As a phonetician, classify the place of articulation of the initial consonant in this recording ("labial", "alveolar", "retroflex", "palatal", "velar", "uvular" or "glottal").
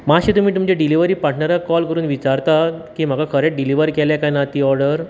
labial